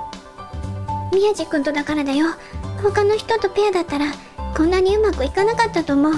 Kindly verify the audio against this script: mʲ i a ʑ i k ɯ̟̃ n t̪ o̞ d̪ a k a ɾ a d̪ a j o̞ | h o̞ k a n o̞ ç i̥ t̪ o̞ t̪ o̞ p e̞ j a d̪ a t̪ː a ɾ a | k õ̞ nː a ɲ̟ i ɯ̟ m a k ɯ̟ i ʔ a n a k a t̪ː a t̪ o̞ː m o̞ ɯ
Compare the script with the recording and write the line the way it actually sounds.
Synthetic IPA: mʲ i a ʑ i k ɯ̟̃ n t̪ o̞ d̪ a k a ɾ a d̪ a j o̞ | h o̞ k a n o̞ ç i̥ t̪ o̞ t̪ o̞ p e̞ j a d̪ a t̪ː a ɾ a | k õ̞ nː a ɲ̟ i ɯ̟ m a k ɯ̟ i k a n a k a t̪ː a t̪ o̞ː m o̞ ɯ